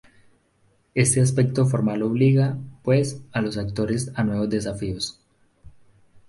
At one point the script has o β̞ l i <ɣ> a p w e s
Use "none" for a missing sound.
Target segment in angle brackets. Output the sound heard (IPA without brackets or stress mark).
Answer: ɣ